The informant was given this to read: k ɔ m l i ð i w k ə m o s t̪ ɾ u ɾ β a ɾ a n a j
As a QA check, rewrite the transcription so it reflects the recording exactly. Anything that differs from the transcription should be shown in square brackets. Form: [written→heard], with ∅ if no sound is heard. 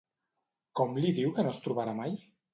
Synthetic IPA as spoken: k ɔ m l i ð i w k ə [m→n] o s t̪ ɾ u [ɾ→∅] β a ɾ a [n→m] a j